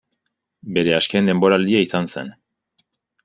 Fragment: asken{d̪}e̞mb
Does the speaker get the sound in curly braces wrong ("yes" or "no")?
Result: no